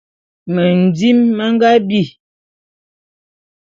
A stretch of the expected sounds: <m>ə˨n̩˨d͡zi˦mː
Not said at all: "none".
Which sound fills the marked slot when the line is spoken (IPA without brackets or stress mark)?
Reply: m